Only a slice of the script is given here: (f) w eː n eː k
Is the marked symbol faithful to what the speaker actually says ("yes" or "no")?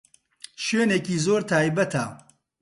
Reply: no